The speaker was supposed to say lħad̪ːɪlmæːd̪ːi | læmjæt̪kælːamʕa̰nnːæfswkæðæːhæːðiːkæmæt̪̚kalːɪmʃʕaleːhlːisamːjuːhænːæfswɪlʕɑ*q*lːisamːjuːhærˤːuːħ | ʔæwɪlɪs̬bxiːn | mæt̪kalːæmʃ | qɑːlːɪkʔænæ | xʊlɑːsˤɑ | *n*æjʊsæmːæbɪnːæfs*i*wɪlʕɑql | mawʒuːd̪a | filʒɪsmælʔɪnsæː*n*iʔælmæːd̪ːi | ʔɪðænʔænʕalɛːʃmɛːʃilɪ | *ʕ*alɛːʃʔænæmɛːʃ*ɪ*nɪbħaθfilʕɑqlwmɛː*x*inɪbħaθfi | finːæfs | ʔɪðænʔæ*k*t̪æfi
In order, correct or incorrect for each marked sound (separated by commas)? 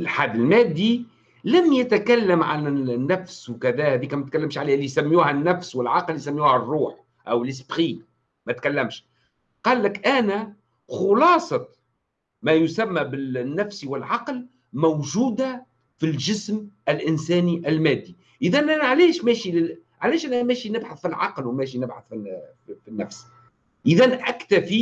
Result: correct, incorrect, correct, correct, correct, incorrect, incorrect, correct